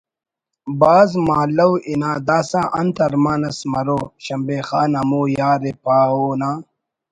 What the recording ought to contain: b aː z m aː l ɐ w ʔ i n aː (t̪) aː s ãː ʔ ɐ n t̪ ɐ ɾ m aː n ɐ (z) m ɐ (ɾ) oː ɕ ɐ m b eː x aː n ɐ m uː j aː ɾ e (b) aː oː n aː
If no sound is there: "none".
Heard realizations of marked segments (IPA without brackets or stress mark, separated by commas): d̪, s, ɾ, p